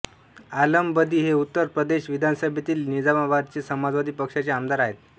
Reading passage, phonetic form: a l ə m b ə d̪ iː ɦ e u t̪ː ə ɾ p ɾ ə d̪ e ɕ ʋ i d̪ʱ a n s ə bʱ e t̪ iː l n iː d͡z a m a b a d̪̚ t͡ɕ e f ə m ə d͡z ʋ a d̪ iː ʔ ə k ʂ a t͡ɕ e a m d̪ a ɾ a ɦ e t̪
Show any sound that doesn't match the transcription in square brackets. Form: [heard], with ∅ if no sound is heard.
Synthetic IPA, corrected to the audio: a l ə m b ə d̪ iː ɦ e u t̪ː ə ɾ p ɾ ə d̪ e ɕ ʋ i d̪ʱ a n s ə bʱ e t̪ iː l n [i] d͡z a m a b a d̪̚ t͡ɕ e [s] ə m [a] d͡z ʋ a d̪ iː [p] ə k ʂ a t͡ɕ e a m d̪ a ɾ a ɦ e t̪